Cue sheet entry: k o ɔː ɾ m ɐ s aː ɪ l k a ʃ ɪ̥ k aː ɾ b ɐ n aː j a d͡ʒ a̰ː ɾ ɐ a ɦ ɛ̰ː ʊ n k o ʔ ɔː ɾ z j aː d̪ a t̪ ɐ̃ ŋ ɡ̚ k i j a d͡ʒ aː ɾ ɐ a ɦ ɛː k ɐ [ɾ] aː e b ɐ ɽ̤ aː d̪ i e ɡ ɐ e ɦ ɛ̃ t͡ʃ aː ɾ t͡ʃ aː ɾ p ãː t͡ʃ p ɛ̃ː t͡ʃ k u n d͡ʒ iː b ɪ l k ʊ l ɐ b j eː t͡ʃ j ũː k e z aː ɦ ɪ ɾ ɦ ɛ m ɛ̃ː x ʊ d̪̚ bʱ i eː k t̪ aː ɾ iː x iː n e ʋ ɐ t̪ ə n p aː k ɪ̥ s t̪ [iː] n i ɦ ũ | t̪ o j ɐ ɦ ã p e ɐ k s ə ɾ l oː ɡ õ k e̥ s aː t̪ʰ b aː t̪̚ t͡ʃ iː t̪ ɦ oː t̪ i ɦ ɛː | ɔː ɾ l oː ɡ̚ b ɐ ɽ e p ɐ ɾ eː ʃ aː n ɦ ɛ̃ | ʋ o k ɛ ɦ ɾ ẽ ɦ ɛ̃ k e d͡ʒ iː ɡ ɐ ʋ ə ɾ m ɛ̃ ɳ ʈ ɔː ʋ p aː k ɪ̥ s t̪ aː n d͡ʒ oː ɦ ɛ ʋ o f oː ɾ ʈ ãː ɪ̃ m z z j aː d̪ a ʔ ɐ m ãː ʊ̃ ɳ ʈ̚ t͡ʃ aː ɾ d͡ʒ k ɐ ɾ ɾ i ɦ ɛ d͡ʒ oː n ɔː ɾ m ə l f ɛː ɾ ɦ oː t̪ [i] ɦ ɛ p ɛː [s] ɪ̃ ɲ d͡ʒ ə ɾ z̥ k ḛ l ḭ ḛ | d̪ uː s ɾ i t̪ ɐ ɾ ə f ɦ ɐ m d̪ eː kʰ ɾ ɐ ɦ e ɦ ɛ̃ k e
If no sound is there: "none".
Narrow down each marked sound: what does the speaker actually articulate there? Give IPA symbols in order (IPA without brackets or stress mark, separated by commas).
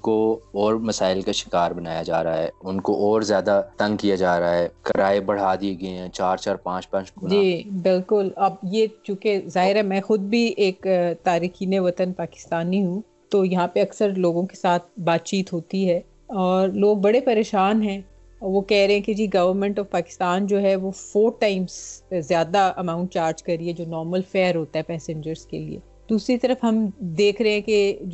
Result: ɾ, aː, a, s